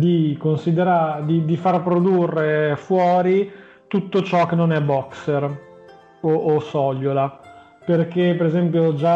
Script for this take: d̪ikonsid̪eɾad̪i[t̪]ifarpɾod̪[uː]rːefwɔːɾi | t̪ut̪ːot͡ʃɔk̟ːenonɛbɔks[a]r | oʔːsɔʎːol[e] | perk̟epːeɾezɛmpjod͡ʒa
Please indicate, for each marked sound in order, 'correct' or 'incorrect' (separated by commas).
incorrect, incorrect, incorrect, incorrect